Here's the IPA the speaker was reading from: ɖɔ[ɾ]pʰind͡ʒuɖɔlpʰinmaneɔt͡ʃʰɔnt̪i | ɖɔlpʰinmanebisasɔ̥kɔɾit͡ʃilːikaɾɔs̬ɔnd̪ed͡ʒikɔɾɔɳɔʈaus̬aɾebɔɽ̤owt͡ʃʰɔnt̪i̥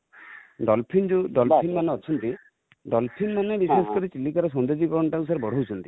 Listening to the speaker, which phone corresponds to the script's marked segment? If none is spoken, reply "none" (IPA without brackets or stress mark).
l